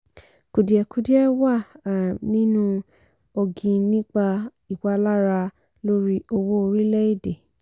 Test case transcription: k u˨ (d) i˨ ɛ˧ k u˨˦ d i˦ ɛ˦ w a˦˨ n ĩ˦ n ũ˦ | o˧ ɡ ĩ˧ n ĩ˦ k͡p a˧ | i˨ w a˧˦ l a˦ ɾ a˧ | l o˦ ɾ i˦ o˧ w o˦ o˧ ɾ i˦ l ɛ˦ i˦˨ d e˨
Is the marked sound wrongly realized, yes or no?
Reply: no